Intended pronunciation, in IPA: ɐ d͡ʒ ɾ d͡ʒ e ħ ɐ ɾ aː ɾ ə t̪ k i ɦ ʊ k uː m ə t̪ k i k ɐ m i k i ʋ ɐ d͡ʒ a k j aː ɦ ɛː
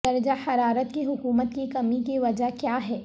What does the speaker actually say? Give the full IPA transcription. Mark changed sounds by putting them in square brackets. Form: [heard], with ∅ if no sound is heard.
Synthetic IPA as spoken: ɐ [∅] ɾ d͡ʒ [a] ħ ɐ ɾ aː ɾ ə t̪ k i ɦ ʊ k uː m ə t̪ k i k ɐ m i k i ʋ ɐ d͡ʒ a k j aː ɦ ɛː

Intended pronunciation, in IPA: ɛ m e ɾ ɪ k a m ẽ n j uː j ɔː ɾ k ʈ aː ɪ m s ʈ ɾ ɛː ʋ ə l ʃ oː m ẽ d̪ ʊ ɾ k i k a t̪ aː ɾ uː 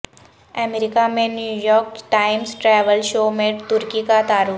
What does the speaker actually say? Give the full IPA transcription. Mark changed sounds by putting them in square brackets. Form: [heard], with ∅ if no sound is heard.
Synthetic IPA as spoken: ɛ m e ɾ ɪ k a m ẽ n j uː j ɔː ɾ k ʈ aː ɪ m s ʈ ɾ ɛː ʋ ə l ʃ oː m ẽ [t̪] ʊ ɾ k i k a t̪ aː ɾ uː

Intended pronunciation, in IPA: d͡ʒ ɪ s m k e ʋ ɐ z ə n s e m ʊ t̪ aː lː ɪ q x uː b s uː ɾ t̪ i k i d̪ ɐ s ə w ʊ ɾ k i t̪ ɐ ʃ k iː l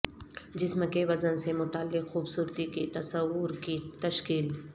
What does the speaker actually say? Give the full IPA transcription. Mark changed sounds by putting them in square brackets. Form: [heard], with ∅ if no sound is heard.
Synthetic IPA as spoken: d͡ʒ ɪ s m k e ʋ ɐ z ə n s e m ʊ t̪ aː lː ɪ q x uː b s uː ɾ t̪ i k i [t̪] ɐ s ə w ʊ ɾ k i t̪ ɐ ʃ k iː l

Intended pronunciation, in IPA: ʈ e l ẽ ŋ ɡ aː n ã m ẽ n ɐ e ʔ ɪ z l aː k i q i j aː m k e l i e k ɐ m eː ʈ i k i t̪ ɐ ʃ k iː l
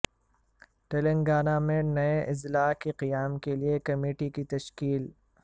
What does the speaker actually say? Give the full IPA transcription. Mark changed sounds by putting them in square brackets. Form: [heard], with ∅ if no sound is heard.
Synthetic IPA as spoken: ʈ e l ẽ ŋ ɡ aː n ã m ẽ n ɐ e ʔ ɪ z l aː k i q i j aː m k e l i e k ɐ m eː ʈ i k i t̪ ɐ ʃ k iː l

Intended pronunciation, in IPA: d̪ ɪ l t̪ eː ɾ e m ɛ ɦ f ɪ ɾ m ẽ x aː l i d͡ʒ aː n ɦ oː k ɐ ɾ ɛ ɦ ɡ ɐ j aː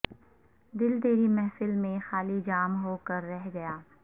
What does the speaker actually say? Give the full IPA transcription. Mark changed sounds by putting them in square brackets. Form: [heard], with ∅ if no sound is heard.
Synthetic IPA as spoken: d̪ ɪ l [d̪] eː ɾ [i] m ɛ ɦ f ɪ [l] m ẽ x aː l i d͡ʒ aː [m] ɦ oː k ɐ [ɾː] ɛ ɦ ɡ ɐ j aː

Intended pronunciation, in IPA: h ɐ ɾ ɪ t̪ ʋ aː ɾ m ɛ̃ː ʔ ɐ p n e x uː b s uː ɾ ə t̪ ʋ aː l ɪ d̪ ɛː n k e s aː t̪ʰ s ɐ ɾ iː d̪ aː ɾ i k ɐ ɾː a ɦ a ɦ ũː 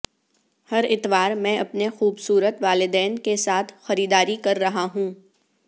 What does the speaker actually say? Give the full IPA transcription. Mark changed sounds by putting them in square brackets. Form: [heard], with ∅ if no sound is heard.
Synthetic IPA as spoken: h ɐ ɾ ɪ t̪ ʋ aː ɾ m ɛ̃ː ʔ ɐ p n e x uː b s uː ɾ ə t̪ ʋ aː l ɪ d̪ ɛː n k e s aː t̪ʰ [x] ɐ ɾ iː d̪ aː ɾ i k ɐ ɾː [ɐ] ɦ a ɦ ũː

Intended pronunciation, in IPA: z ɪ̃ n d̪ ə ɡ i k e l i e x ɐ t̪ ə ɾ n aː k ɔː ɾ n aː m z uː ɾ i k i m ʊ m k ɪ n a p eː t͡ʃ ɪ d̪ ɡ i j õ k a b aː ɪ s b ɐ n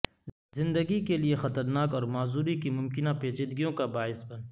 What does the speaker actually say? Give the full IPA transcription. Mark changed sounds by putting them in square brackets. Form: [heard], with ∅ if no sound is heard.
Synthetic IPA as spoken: z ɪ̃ n d̪ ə ɡ i k e l i e x ɐ t̪ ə ɾ n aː k ɔː ɾ [m] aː [∅] z uː ɾ i k i m ʊ m k ɪ n a p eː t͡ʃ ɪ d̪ ɡ i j õ k a b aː ɪ s b ɐ n

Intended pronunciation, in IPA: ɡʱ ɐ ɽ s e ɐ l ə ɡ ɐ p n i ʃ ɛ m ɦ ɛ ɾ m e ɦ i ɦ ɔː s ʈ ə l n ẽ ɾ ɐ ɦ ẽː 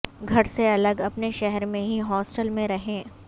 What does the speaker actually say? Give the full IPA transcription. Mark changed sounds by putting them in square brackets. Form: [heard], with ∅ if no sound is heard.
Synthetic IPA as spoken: ɡʱ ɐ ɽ s e ɐ l ə ɡ ɐ p n [e] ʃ ɛ [∅] ɦ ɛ ɾ m [ẽ] ɦ i ɦ ɔː s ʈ ə l [m] ẽ ɾ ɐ ɦ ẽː

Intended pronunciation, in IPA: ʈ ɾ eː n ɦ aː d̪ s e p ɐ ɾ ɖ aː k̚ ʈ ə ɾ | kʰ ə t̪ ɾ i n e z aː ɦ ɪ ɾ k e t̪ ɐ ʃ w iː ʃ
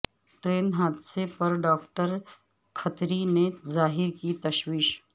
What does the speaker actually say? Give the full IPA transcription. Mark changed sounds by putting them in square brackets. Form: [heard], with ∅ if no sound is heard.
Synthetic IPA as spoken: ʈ ɾ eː n ɦ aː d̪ s e p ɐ ɾ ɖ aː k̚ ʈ ə ɾ | kʰ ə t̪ ɾ i n e z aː ɦ ɪ ɾ k [i] t̪ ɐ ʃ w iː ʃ

